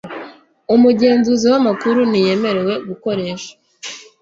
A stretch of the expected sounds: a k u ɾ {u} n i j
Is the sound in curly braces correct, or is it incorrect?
correct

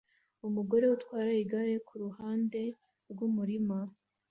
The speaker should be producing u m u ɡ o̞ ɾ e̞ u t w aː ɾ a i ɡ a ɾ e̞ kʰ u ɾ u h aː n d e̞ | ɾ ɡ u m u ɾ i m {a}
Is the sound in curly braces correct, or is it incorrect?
correct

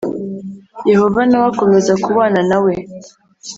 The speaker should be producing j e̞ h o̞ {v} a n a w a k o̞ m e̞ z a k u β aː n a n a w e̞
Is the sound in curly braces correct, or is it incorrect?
correct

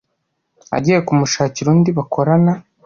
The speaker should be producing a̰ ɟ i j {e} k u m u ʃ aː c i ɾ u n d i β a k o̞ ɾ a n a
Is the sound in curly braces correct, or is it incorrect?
correct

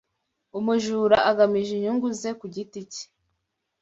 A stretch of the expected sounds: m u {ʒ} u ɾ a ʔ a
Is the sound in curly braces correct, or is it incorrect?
correct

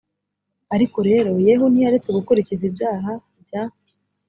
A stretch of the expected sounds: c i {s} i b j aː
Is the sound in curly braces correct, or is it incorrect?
incorrect: z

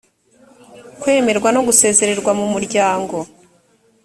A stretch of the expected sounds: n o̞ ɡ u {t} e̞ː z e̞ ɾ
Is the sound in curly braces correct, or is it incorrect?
incorrect: s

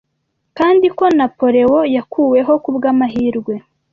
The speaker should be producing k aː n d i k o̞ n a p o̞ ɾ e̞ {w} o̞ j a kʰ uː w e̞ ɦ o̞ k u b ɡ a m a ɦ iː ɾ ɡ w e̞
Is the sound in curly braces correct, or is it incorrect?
correct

